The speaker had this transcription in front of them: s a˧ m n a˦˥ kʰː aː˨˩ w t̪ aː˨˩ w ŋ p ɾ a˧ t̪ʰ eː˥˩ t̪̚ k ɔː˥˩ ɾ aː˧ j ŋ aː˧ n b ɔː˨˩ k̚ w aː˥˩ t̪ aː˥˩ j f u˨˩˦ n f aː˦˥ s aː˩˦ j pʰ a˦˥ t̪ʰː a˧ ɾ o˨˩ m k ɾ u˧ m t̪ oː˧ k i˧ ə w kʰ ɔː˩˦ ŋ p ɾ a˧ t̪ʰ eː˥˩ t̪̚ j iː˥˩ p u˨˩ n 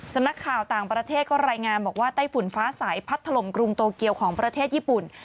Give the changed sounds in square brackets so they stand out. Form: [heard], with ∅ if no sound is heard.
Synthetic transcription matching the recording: s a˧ m n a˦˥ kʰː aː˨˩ w t̪ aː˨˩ [∅] ŋ p ɾ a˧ t̪ʰ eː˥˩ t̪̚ k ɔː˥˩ ɾ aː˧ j ŋ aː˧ n b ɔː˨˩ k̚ w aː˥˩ t̪ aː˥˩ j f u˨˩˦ n f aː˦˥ s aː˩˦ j pʰ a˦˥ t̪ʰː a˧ [l] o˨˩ m k ɾ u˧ [ŋ] t̪ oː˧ k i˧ ə w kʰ ɔː˩˦ ŋ p ɾ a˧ t̪ʰ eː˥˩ t̪̚ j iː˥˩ p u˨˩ n